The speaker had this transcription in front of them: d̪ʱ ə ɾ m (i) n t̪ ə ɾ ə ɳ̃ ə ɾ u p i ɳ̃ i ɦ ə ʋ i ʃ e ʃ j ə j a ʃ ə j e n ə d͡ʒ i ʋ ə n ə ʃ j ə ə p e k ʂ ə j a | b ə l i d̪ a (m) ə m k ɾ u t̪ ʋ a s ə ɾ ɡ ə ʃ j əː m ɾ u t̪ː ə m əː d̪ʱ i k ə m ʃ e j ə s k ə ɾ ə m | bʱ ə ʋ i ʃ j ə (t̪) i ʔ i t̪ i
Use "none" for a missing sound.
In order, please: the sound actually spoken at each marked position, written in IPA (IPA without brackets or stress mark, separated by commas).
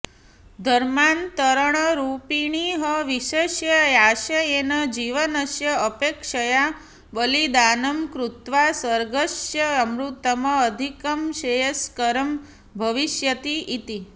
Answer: a, n, t̪